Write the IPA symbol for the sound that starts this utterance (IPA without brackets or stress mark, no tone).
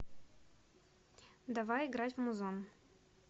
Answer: d̪